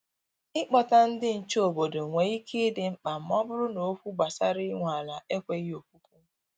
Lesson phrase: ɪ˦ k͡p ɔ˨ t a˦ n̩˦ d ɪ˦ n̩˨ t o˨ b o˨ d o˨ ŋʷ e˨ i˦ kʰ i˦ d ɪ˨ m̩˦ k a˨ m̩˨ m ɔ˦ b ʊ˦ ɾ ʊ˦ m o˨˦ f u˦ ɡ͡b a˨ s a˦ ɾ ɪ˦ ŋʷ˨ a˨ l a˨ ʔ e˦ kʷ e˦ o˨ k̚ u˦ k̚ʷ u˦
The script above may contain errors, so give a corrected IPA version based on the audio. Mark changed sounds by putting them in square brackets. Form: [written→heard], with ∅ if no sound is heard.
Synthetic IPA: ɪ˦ k͡p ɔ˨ t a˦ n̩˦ d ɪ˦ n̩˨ [t→t͡ʃ] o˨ b o˨ d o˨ ŋʷ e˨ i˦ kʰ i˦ d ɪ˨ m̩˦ [k→k͡p] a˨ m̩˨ m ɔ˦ b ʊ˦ ɾ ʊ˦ [m→n] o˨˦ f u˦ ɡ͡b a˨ s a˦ ɾ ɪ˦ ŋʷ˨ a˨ l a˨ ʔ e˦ kʷ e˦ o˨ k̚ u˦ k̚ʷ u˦